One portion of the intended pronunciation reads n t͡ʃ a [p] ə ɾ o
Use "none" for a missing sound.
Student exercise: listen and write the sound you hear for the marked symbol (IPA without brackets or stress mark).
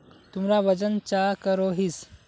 k